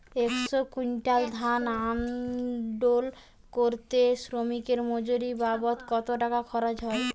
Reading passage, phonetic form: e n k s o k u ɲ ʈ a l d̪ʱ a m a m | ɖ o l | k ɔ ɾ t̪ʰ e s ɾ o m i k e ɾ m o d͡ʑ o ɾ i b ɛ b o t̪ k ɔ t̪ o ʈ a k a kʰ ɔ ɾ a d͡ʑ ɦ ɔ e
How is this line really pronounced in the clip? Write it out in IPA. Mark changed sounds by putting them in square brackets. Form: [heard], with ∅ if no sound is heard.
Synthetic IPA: e [∅] k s o k u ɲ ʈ a l d̪ʱ a [n] a m | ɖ o l | k [o] ɾ [t̪] e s ɾ o m i k e ɾ m o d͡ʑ o ɾ i b [a] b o t̪ k ɔ t̪ o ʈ a k a kʰ ɔ ɾ a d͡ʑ ɦ ɔ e